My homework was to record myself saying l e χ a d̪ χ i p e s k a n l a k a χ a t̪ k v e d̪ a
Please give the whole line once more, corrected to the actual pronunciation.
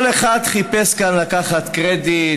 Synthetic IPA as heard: l e χ a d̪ χ i p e s k a n l a k a χ a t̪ k ʁ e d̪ i